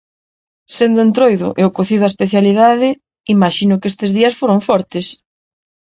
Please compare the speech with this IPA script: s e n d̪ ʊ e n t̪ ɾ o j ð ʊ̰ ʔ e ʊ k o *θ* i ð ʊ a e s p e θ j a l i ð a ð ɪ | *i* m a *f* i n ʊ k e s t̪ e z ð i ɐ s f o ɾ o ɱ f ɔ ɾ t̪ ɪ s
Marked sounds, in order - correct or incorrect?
correct, correct, incorrect: ʃ

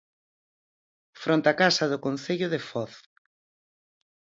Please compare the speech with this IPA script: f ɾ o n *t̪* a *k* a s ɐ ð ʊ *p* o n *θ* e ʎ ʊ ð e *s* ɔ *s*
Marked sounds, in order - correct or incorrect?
correct, correct, incorrect: k, correct, incorrect: f, incorrect: θ

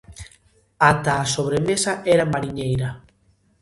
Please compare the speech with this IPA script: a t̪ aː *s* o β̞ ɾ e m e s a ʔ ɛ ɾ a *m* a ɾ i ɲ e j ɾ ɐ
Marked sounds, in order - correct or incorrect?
correct, correct

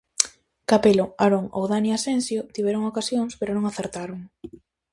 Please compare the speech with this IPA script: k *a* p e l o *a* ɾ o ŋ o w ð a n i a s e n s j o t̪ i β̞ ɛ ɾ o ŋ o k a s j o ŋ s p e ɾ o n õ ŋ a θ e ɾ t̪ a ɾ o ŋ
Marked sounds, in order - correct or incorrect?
correct, correct

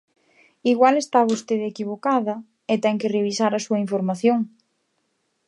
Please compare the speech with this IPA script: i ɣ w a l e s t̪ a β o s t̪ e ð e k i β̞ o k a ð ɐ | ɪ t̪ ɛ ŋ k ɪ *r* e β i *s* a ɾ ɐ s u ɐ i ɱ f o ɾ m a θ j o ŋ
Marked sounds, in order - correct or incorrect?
correct, correct

